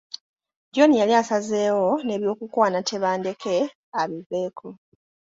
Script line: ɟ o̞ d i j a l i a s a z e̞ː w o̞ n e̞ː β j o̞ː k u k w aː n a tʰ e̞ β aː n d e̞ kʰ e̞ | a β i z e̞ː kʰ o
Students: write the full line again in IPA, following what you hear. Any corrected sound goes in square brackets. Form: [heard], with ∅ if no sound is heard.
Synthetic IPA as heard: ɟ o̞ [n] i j a l i a s a z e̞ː w o̞ n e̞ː β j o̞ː k u k w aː n a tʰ e̞ β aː n d e̞ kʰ e̞ | a β i [v] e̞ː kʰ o